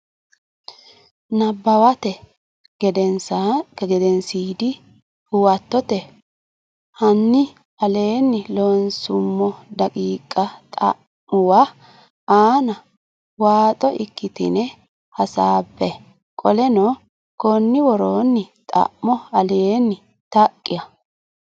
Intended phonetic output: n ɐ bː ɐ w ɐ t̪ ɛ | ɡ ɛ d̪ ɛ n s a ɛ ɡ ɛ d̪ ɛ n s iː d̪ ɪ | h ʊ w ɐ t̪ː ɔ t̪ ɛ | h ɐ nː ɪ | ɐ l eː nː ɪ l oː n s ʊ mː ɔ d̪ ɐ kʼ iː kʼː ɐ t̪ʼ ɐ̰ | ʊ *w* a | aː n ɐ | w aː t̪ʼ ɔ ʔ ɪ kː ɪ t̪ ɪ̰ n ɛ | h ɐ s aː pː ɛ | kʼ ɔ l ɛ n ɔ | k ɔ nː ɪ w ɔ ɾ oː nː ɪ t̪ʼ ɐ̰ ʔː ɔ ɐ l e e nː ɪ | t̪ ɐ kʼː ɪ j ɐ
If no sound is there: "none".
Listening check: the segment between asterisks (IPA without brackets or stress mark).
w